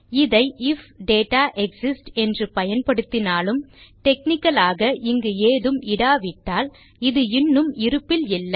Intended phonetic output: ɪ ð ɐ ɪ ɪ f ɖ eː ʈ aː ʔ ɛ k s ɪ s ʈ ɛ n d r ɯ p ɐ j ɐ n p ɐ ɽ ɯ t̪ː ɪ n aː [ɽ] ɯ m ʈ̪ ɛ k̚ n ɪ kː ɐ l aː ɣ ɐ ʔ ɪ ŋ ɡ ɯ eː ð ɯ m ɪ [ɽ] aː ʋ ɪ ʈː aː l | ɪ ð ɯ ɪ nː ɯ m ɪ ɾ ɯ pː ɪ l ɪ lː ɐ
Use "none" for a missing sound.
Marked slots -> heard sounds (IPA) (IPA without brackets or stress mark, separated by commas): l, ɽ